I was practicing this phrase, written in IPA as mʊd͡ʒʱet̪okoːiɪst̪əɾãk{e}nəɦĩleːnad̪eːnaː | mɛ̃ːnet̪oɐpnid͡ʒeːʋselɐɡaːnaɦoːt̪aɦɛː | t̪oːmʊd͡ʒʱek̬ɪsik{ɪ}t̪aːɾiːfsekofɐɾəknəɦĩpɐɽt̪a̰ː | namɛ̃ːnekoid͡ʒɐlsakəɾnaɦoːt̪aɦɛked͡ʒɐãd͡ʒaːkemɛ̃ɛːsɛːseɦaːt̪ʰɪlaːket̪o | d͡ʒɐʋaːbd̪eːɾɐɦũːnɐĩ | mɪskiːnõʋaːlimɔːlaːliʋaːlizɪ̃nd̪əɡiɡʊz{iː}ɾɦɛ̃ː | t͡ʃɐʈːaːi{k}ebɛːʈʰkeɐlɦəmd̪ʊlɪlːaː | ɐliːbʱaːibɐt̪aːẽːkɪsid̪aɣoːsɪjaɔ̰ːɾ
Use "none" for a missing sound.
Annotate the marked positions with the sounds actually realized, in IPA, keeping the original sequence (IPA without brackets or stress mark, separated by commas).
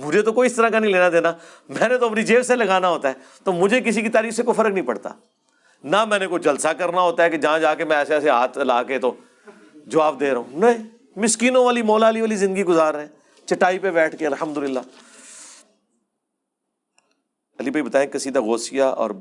a, i, aː, p